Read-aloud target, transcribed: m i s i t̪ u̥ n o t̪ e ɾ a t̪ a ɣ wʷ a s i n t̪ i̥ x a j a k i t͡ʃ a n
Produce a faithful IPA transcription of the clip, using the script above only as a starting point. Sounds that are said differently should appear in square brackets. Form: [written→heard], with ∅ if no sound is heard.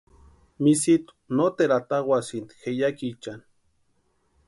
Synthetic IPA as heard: m i s i t̪ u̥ n o t̪ e ɾ a t̪ a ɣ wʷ a s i n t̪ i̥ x [a→e] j a k i t͡ʃ a n